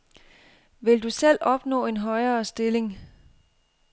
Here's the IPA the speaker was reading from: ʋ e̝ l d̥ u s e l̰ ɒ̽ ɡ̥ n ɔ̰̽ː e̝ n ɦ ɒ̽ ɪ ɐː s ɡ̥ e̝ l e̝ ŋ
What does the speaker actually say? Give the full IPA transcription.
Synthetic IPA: ʋ e̝ l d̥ u s e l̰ ɒ̽ b̥ n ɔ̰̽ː e̝ n ɦ ɒ̽ ɪ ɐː s d̥ e̝ l e̝ ŋ

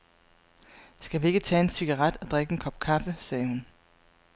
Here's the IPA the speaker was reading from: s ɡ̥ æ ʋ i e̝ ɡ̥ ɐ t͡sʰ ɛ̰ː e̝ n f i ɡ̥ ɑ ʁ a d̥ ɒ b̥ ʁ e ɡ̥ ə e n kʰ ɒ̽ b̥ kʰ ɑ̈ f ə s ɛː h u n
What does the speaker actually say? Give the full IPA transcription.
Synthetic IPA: s ɡ̥ æ ʋ i e̝ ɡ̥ ə t͡sʰ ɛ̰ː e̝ n s i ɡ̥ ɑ ʁ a d̥ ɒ d̥ ʁ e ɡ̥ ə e n kʰ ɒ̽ b̥ kʰ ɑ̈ f ə s ɛː h u n

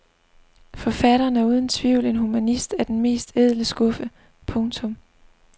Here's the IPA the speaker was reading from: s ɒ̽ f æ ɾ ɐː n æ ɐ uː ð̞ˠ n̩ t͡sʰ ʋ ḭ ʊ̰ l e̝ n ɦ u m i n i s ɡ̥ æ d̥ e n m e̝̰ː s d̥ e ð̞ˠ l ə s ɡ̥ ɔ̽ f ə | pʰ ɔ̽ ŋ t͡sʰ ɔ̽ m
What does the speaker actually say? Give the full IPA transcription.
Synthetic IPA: f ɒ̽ f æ ɾ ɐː n æ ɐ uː ð̞ˠ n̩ t͡sʰ ʋ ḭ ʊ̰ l e̝ n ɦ u m æ n i s d̥ æ d̥ e n m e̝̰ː s d̥ e ð̞ˠ l ə s ɡ̥ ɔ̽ f ə | pʰ ɔ̽ ŋ t͡sʰ ɔ̽ m

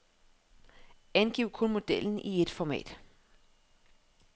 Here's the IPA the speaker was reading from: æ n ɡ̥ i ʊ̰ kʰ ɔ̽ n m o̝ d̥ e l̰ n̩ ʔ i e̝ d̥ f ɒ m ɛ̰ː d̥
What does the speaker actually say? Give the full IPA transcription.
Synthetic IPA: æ n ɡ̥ i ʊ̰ kʰ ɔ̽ n m o̝ d̥ e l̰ n̩ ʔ i e̝ d̥ f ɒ m ɛ̰ː d̥

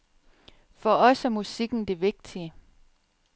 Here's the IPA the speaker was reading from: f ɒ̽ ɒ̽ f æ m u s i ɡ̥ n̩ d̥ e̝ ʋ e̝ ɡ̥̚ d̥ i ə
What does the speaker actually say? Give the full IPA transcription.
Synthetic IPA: f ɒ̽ ɒ̽ s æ m u s i ɡ̥ n̩ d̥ e̝ ʋ e̝ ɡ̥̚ d̥ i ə

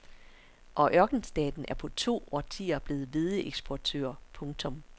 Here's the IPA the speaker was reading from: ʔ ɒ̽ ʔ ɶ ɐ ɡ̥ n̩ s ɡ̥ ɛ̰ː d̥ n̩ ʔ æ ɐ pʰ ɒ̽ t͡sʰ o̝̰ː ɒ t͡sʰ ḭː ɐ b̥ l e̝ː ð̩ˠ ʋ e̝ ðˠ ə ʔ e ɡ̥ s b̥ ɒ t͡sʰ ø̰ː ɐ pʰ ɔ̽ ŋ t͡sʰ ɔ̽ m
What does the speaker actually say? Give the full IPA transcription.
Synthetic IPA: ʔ ɒ̽ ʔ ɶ ɐ ɡ̥ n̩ s d̥ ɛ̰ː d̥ n̩ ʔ æ ɐ pʰ ɒ̽ t͡sʰ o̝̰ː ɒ t͡sʰ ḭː ɐ b̥ l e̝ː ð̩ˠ ʋ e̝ ðˠ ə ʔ e ɡ̥ s b̥ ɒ t͡sʰ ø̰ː ɐ pʰ ɔ̽ ŋ t͡sʰ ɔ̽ m

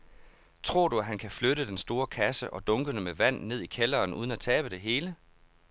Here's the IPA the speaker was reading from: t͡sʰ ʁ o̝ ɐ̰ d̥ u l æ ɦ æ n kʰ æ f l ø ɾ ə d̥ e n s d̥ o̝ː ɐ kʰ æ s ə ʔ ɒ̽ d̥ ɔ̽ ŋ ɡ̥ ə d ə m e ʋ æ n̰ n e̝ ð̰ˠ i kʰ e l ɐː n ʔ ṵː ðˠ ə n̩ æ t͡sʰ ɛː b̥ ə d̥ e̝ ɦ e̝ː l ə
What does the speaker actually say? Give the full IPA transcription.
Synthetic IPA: t͡sʰ ʁ o̝ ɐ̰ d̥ u æ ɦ æ n kʰ æ f l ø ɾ ə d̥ e n s d̥ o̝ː ɐ kʰ æ s ə ʔ ɒ̽ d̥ ɔ̽ ŋ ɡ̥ ə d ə m e ʋ æ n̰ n e̝ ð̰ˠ i kʰ e l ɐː n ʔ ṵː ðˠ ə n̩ æ t͡sʰ ɛː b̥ ə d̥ e̝ ɦ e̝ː l ə

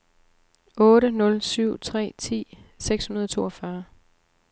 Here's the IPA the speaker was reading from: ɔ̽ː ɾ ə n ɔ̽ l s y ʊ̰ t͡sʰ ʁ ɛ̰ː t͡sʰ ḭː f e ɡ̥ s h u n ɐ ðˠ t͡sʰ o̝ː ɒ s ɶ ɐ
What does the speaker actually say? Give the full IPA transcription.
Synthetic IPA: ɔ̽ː ɾ ə n ɔ̽ l s y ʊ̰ t͡sʰ ʁ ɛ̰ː t͡sʰ ḭː s e ɡ̥ s h u n ɐ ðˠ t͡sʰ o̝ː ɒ f ɶ ɐ

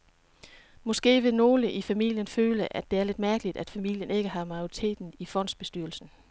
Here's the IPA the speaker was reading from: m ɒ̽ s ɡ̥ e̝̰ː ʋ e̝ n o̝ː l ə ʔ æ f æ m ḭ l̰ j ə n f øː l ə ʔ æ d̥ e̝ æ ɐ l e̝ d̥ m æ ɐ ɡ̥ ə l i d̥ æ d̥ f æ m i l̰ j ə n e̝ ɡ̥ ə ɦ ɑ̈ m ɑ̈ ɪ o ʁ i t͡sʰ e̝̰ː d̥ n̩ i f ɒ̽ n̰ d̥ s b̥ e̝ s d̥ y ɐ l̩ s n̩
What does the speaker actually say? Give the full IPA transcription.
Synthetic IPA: m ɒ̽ s ɡ̥ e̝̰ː ʋ e̝ n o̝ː l ə ʔ i f æ m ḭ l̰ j ə n f øː l ə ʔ æ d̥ e̝ æ ɐ l e̝ d̥ m æ ɐ ɡ̥ ə l i d̥ æ d̥ f æ m i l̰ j ə n e̝ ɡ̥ ə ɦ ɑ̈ m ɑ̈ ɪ o ʁ i t͡sʰ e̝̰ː d̥ n̩ i f ɒ̽ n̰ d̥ s b̥ e̝ s d̥ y ɐ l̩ s n̩

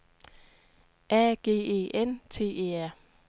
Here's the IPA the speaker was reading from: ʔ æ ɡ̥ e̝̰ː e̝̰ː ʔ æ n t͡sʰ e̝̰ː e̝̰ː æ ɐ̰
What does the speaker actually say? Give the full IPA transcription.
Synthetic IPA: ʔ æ ɡ̥ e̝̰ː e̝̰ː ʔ e n t͡sʰ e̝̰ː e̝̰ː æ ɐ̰

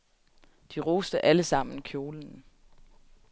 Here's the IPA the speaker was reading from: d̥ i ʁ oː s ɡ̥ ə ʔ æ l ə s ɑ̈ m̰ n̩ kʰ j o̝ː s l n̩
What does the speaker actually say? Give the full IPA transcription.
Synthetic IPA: d̥ i ʁ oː s d̥ ə ʔ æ l ə s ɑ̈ m̰ n̩ kʰ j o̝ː l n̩

